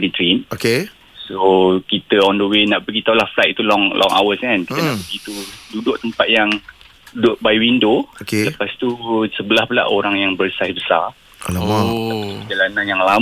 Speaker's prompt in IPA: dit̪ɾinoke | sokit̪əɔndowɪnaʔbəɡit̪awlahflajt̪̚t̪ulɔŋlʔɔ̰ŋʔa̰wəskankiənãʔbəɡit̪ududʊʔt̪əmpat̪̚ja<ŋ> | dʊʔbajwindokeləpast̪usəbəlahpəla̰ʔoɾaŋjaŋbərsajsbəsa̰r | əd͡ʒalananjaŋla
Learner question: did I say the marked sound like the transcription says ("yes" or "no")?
yes